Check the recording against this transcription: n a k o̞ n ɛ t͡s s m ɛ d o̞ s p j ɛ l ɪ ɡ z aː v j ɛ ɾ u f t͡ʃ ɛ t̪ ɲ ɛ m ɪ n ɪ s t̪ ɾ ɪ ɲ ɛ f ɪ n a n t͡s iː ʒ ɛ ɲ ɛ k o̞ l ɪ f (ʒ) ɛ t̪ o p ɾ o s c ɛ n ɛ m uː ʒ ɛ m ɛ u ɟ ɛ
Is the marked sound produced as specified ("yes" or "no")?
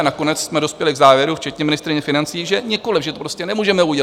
yes